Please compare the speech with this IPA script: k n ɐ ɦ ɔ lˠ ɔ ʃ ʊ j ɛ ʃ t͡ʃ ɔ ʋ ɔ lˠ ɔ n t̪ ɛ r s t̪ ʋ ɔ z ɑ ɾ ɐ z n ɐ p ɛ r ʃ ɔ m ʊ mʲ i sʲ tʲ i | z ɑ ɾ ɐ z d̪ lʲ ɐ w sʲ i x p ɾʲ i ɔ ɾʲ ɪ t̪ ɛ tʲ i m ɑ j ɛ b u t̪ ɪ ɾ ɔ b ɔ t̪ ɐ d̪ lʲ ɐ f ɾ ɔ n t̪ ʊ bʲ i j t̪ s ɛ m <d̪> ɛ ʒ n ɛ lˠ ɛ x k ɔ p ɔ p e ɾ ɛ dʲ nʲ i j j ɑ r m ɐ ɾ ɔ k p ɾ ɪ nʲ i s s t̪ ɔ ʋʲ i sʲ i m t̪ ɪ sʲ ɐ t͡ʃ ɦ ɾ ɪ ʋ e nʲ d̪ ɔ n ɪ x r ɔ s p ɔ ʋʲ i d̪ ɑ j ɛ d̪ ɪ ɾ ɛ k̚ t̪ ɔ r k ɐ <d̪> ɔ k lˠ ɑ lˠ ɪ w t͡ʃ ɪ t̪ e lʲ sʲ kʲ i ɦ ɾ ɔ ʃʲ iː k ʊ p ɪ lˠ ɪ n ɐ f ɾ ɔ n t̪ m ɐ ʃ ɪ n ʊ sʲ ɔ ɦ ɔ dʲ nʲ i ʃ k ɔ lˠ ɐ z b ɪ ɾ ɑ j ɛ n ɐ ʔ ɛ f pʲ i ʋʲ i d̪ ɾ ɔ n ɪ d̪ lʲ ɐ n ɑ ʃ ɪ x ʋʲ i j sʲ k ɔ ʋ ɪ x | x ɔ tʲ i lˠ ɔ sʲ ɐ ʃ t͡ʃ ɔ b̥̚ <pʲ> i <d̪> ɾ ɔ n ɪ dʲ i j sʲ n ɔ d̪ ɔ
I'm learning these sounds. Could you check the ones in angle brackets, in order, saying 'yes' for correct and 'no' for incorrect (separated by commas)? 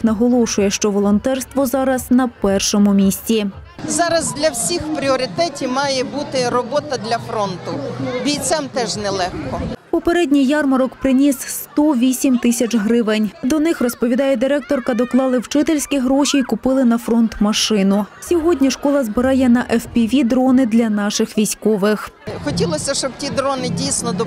no, yes, no, yes